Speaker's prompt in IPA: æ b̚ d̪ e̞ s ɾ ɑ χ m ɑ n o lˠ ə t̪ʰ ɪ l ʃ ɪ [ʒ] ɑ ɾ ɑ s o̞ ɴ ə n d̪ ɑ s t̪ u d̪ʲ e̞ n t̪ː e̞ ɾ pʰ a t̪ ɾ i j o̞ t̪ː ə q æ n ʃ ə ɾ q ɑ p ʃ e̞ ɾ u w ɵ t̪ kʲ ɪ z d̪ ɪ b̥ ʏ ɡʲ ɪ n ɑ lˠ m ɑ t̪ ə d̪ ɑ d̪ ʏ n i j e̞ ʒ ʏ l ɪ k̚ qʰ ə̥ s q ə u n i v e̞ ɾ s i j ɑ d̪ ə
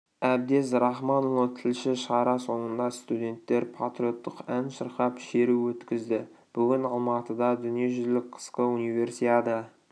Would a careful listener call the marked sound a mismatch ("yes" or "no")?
yes